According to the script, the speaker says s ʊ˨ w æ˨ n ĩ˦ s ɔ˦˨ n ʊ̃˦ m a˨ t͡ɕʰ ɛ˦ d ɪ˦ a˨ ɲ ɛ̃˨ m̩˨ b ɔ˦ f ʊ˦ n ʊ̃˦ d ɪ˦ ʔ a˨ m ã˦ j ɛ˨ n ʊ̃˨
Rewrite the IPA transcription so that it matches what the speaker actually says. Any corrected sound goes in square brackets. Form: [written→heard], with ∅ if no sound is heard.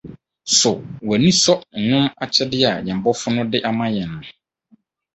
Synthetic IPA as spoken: s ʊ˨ w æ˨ n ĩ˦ s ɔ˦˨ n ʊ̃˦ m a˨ t͡ɕʰ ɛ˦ d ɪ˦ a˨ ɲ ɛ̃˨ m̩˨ b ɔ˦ f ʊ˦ n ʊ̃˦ d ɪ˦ ʔ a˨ m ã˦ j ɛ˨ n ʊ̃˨

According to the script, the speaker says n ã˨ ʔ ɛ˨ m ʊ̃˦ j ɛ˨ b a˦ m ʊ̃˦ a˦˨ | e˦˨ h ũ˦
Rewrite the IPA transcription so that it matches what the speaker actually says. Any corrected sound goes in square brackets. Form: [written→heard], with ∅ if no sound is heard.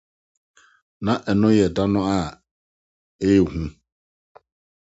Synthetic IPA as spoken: n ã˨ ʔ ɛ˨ [m→n] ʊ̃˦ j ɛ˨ [b→d] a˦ [m→n] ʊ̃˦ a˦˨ | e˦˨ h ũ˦

